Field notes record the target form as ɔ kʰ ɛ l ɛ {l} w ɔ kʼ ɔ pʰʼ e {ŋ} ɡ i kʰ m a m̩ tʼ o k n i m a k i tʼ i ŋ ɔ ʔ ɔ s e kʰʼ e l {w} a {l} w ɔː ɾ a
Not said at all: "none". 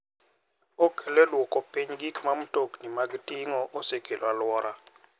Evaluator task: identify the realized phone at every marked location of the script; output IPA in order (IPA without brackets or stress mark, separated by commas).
l, ɲ, w, l